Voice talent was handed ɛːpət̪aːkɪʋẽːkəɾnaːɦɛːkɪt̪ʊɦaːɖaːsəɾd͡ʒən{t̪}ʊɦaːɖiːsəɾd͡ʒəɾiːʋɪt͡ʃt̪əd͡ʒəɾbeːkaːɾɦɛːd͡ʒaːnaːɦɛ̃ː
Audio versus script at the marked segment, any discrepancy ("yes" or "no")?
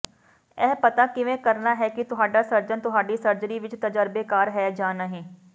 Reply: no